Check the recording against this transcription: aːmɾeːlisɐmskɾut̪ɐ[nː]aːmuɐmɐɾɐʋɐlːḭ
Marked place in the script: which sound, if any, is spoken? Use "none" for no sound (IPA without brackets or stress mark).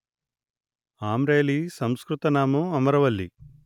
n